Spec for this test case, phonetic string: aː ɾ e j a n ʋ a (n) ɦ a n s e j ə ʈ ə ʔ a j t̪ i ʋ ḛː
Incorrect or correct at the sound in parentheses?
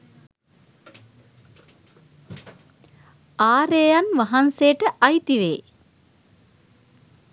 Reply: incorrect: none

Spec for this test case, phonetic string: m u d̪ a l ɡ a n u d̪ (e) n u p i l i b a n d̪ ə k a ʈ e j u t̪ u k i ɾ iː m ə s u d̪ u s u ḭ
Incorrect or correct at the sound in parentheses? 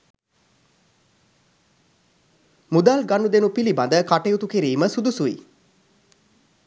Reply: correct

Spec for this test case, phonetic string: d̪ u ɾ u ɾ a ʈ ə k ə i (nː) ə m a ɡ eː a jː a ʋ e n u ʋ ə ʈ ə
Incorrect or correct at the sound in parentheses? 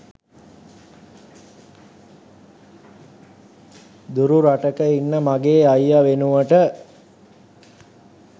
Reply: correct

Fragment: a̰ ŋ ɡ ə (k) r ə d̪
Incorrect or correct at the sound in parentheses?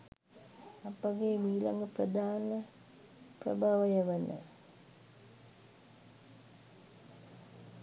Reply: incorrect: p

